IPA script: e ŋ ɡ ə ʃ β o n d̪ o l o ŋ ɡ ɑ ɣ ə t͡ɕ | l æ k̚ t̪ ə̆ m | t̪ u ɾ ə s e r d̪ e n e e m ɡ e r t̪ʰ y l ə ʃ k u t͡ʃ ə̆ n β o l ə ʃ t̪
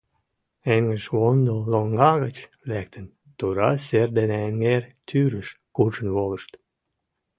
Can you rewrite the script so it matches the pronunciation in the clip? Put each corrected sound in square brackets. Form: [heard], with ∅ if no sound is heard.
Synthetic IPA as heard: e ŋ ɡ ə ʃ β o n d̪ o l o ŋ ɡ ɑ ɣ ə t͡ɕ | l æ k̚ t̪ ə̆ [n] | t̪ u ɾ [ɑ] s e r d̪ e n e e [ŋ] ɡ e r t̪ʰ y [ɾ] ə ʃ k u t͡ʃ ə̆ n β o l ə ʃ t̪